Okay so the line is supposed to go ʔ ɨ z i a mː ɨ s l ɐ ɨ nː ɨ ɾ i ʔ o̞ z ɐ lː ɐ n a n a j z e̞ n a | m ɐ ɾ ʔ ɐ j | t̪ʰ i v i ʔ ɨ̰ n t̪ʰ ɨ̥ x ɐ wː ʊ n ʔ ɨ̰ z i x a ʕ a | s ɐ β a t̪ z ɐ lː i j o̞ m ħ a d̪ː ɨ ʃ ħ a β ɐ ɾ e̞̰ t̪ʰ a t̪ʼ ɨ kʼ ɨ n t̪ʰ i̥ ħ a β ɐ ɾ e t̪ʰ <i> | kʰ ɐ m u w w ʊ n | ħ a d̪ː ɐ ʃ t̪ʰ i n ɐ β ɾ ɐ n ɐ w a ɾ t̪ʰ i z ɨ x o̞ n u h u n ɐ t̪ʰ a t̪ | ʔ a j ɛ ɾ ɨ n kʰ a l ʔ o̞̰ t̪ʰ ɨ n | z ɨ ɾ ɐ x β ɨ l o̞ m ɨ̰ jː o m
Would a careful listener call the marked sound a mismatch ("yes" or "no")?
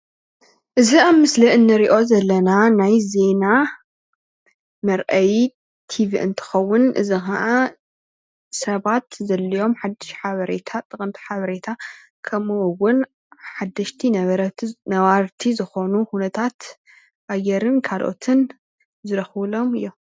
yes